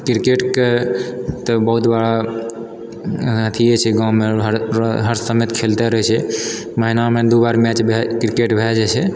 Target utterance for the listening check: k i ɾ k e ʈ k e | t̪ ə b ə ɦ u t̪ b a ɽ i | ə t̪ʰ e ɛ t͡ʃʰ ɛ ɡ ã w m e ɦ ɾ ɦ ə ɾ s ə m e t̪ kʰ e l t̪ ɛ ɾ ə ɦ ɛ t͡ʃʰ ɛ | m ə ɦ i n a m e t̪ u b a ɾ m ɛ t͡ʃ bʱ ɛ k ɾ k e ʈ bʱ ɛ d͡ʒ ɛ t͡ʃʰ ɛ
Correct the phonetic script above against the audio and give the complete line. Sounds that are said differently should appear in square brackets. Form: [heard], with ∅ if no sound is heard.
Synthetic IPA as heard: k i ɾ k e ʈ k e | t̪ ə b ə ɦ u t̪ b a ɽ [a] | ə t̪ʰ [i] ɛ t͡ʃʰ ɛ ɡ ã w m e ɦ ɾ ɦ ə ɾ s ə m e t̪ kʰ e l t̪ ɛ ɾ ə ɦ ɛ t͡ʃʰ ɛ | m ə ɦ i n a m e [d̪] u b a ɾ m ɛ t͡ʃ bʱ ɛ k ɾ k e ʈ bʱ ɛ d͡ʒ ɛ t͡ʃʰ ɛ